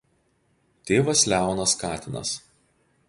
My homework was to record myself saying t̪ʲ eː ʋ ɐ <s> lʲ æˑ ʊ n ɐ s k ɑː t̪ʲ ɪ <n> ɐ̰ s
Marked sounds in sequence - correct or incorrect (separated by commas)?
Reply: correct, correct